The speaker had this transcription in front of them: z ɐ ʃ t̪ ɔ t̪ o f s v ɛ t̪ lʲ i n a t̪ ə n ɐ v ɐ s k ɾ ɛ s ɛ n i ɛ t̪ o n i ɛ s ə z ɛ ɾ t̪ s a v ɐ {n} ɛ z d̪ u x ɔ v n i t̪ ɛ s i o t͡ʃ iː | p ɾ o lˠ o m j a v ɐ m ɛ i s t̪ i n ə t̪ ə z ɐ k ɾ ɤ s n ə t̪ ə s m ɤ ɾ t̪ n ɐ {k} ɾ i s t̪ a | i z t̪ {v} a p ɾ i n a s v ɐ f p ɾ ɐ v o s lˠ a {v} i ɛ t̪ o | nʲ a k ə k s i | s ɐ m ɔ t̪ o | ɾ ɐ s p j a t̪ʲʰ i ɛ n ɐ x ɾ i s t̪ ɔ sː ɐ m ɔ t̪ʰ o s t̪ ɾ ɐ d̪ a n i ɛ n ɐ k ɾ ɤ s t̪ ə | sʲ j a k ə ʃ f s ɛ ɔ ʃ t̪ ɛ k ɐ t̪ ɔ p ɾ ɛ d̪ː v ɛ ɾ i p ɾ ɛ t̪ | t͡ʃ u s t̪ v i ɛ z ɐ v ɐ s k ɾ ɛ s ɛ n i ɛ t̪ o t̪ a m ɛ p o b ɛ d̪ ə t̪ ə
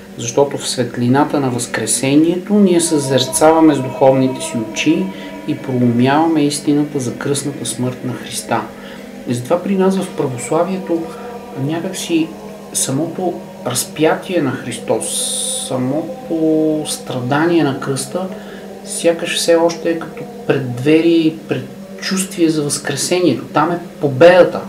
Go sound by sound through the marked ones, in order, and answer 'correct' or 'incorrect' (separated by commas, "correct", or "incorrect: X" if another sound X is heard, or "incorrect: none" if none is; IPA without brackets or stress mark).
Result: incorrect: m, incorrect: x, correct, correct